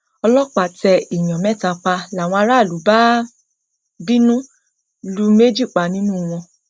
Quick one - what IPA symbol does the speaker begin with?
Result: ɔ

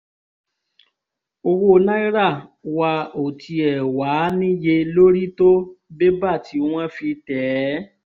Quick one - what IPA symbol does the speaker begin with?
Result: o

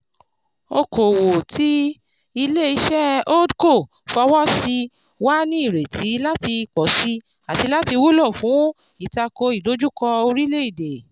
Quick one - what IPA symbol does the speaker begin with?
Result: o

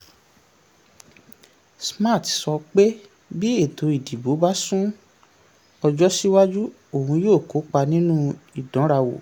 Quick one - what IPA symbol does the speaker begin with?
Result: s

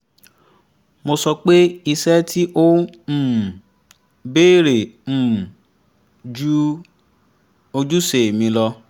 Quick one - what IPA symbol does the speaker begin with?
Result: m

